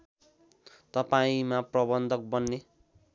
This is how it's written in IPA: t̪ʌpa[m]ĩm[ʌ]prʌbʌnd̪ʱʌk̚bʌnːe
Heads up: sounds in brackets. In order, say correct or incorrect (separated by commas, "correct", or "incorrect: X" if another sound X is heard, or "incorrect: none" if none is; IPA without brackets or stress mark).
incorrect: none, incorrect: a